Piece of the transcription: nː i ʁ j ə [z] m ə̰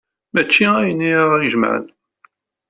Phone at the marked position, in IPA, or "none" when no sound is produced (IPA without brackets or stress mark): ʒ